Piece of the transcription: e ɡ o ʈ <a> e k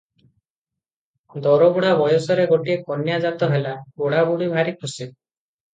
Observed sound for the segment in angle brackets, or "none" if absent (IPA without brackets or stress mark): i